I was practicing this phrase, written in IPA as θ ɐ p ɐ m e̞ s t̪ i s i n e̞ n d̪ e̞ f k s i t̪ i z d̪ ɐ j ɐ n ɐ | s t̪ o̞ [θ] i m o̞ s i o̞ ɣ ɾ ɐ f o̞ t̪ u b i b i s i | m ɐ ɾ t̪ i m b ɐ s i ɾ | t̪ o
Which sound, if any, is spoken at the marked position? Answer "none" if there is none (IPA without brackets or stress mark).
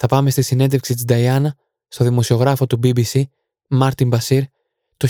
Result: ð